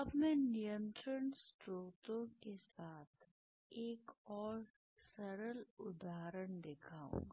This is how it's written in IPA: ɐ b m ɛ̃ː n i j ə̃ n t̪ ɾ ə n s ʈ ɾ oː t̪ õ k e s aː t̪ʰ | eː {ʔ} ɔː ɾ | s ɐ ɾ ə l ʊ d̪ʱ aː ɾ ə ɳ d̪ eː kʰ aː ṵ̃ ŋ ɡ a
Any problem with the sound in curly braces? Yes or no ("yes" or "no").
yes